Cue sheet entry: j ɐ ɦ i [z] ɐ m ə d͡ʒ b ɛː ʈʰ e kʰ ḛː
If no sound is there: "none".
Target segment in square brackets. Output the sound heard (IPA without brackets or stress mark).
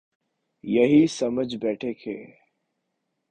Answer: s